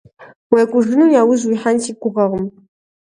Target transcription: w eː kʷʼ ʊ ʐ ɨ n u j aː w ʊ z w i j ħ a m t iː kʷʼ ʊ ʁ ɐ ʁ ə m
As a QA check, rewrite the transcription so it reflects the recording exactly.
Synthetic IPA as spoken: w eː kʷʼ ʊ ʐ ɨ n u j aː w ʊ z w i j ħ a n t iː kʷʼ ʊ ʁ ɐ ʁ ə m